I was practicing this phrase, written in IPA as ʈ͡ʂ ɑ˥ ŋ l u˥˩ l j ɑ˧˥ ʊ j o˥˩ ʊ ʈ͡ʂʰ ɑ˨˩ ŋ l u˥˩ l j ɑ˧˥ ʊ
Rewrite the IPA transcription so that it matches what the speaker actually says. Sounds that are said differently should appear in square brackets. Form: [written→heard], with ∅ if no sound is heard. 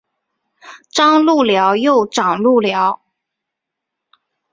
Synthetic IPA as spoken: ʈ͡ʂ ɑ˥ ŋ l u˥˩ l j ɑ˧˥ ʊ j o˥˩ ʊ [ʈ͡ʂʰ→ʈ͡ʂ] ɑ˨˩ ŋ l u˥˩ l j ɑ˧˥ ʊ